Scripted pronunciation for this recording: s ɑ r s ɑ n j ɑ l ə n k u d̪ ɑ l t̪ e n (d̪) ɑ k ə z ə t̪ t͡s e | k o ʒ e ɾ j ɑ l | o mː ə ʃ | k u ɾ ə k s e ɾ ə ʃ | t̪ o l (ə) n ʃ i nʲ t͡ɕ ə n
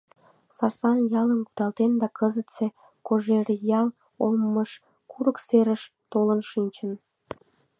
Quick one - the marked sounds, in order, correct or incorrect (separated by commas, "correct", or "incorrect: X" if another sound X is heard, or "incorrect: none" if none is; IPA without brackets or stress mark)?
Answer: correct, correct